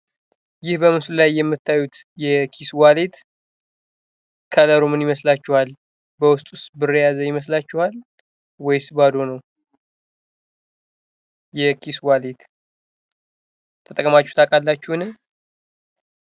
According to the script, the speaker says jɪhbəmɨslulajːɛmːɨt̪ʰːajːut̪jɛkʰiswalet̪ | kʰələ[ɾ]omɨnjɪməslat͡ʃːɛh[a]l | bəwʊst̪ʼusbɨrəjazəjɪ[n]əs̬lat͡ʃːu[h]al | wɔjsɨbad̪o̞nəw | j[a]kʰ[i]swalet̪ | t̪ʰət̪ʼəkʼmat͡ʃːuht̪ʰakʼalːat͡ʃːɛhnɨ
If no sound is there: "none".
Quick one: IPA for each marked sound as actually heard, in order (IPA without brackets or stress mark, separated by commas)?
ɾ, a, m, h, ɛ, i